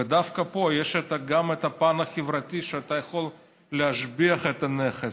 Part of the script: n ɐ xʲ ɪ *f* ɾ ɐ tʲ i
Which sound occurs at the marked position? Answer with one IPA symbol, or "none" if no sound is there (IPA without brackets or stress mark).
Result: v